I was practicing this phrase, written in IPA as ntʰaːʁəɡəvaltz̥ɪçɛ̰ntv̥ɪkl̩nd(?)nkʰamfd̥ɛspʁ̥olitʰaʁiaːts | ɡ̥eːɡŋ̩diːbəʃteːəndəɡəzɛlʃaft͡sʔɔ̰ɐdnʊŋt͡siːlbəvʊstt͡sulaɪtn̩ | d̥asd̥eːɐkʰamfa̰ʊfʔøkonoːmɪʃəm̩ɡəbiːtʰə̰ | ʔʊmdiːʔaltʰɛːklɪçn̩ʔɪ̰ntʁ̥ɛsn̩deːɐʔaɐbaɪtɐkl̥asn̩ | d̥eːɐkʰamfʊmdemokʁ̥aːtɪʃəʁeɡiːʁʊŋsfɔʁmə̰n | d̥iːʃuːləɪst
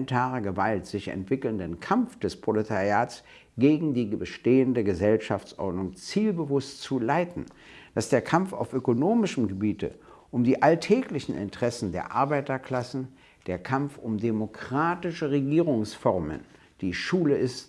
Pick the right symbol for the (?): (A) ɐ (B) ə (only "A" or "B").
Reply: B